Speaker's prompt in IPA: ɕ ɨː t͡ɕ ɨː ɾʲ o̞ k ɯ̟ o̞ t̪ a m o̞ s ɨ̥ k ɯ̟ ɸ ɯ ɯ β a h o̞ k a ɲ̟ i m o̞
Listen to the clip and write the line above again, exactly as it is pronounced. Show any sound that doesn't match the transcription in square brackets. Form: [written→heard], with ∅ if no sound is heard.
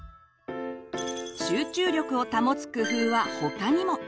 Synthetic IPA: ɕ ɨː t͡ɕ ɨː ɾʲ o̞ k ɯ̟ o̞ t̪ a m o̞ [s→t͡s] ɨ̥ k ɯ̟ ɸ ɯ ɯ β a h o̞ k a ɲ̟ i m o̞